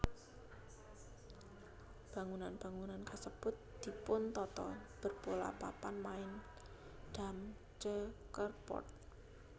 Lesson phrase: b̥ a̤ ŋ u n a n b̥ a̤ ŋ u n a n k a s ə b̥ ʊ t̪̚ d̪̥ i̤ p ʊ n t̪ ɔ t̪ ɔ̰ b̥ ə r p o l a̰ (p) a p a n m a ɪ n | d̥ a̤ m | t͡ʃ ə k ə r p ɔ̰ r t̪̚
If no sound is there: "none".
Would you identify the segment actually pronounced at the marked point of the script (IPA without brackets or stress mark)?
p